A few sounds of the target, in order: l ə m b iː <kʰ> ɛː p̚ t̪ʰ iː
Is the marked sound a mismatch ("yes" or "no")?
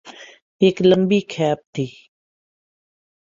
no